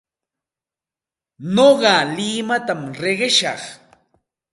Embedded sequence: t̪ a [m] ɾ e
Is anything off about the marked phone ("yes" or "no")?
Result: no